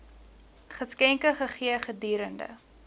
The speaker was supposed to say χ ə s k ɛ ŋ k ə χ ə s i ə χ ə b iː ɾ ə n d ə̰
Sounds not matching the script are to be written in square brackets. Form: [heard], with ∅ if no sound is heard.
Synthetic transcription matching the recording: χ ə s k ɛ ŋ k ə χ ə [χ] i ə χ ə [d] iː ɾ ə n d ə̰